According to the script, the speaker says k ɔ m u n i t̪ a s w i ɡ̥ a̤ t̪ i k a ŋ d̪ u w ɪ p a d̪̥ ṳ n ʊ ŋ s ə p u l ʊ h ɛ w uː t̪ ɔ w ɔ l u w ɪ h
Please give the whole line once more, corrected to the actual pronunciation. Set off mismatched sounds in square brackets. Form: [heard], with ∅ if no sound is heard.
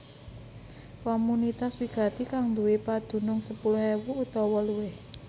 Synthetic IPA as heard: k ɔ m u n i t̪ a s w i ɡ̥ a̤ t̪ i k a ŋ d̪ u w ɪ p a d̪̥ ṳ n ʊ ŋ s ə p u l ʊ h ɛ w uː t̪ ɔ w ɔ l u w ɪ h